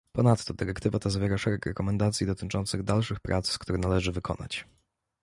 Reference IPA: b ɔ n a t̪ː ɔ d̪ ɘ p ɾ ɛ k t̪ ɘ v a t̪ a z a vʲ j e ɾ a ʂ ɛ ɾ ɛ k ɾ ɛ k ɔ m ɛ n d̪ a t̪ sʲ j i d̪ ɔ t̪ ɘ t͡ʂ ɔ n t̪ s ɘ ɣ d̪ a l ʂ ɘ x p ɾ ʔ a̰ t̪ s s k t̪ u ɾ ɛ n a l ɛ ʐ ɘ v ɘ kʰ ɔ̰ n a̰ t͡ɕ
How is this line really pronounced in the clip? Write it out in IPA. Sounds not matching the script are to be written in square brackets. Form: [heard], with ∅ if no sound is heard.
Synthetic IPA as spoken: [p] ɔ n a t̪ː ɔ d̪ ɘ [∅] ɾ ɛ k t̪ ɘ v a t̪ a z a vʲ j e ɾ a ʂ ɛ ɾ ɛ k ɾ ɛ k ɔ m ɛ n d̪ a t̪ sʲ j i d̪ ɔ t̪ ɘ t͡ʂ ɔ n t̪ s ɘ ɣ d̪ a l ʂ ɘ x p ɾ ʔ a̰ t̪ s s k t̪ u ɾ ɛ n a l ɛ ʐ ɘ v ɘ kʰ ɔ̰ n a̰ t͡ɕ